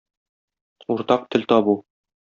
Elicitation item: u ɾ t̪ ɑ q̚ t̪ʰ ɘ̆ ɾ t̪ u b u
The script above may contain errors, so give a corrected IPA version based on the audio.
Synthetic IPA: u ɾ t̪ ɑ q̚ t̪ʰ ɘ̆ l t̪ ɒ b u